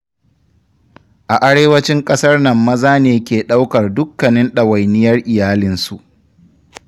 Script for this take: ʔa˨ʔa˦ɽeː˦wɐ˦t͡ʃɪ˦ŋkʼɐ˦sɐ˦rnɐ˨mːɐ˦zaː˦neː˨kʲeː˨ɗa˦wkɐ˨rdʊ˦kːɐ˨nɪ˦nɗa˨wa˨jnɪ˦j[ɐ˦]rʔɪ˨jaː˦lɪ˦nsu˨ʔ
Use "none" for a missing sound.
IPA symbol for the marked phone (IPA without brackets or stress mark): ɐ˦